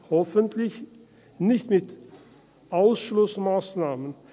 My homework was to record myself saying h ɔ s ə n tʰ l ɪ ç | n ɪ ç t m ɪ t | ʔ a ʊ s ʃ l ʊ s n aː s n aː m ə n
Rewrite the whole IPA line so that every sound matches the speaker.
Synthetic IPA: h ɔ f ə n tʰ l ɪ ç | n ɪ ç t m ɪ t | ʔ a ʊ s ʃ l ʊ s m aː s n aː m ə n